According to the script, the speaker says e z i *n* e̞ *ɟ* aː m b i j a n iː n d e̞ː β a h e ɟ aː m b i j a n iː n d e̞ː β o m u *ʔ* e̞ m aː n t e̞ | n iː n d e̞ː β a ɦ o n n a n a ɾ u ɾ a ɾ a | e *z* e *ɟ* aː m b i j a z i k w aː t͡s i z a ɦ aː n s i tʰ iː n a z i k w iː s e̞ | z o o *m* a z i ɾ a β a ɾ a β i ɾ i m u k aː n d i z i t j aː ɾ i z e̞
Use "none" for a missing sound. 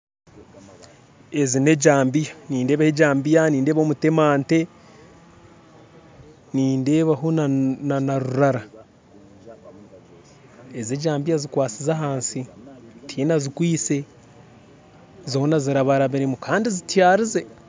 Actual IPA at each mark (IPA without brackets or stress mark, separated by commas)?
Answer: n, ɟ, t, z, ɟ, n